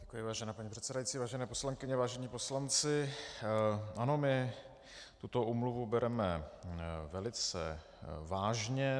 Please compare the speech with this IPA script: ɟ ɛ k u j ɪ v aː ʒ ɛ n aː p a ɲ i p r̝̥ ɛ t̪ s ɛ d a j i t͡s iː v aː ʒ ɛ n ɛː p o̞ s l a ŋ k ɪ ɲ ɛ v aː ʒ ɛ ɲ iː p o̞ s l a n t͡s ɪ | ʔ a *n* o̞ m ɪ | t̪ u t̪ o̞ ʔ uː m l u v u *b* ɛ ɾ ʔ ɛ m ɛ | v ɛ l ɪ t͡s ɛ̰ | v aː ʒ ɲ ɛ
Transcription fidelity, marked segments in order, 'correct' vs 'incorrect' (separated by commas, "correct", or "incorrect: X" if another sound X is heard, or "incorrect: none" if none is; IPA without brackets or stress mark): correct, correct